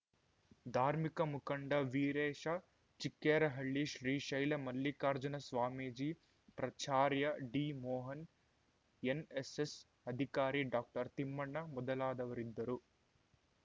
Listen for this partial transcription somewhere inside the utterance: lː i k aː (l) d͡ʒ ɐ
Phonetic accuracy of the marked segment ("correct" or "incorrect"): incorrect